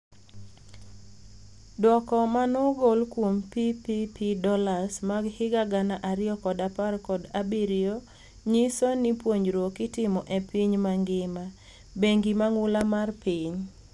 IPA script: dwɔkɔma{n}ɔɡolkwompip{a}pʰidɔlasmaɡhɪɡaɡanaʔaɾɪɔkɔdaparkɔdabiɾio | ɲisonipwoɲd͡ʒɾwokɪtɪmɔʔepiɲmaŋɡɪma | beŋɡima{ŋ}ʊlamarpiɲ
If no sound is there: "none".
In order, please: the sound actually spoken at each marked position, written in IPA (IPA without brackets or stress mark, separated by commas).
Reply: n, i, ŋ